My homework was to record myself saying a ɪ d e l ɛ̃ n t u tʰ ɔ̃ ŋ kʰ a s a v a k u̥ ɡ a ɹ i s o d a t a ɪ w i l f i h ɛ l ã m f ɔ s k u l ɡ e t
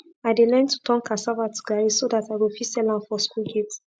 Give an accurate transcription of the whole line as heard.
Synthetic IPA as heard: a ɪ d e l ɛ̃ n t u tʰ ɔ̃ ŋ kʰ a s a v a t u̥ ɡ a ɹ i s o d a t a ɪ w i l f i s ɛ l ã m f ɔ s k u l ɡ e t